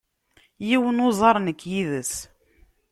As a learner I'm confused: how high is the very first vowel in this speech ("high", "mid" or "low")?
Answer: high